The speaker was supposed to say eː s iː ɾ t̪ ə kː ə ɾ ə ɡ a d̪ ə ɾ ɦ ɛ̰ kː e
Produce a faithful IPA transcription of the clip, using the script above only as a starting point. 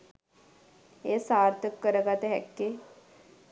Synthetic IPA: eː s aː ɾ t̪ ə kː ə ɾ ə ɡ a t̪ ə ɦ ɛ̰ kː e